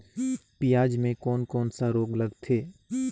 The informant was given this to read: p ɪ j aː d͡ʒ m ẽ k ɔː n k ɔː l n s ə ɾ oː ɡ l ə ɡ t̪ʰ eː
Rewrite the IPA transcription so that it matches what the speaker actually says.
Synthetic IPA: p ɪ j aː d͡ʒ m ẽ k ɔː n k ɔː n s a ɾ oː ɡ l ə ɡ t̪ʰ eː